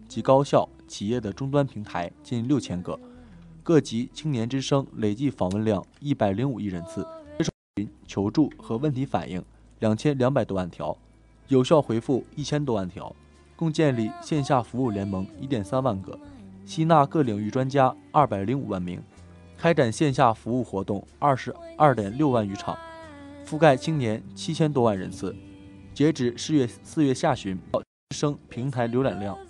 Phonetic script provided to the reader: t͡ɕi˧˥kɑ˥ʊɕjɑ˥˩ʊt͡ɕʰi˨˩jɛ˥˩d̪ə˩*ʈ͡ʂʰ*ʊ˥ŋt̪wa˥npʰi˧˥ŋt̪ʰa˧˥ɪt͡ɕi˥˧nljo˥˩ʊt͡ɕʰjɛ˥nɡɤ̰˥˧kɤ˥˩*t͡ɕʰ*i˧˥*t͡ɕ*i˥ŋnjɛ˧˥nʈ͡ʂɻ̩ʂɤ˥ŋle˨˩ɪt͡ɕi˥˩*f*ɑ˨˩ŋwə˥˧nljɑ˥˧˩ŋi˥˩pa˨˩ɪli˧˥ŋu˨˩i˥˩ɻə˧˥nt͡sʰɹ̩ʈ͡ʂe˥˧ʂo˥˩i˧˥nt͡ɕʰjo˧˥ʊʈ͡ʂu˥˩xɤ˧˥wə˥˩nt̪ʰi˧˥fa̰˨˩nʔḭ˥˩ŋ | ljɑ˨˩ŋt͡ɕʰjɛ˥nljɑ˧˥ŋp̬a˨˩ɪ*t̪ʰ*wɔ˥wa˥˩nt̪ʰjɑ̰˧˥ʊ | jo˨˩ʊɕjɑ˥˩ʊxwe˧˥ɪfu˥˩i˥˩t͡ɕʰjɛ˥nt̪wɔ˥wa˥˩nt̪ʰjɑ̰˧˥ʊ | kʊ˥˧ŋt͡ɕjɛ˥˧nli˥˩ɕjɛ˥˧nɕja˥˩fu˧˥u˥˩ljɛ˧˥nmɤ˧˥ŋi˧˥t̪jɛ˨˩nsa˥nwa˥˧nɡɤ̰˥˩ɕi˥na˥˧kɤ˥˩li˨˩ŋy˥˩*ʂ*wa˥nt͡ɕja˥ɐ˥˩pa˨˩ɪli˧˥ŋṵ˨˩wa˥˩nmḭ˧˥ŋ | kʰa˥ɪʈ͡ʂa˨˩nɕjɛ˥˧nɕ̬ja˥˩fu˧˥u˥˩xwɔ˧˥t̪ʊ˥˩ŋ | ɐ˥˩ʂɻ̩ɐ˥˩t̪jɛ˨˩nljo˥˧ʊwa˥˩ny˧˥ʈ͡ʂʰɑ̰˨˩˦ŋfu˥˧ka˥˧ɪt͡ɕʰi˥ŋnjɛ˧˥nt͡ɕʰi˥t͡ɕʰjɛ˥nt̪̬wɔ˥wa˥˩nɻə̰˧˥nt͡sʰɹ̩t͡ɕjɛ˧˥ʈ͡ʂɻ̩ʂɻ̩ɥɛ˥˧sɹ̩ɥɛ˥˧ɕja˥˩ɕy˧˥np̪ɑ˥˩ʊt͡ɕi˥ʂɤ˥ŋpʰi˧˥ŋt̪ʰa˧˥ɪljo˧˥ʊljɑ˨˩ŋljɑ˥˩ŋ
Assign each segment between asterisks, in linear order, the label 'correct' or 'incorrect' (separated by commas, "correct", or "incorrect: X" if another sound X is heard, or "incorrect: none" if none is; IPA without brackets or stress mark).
incorrect: ʈ͡ʂ, incorrect: t͡ɕ, incorrect: t͡ɕʰ, correct, incorrect: t̪, incorrect: ʈ͡ʂ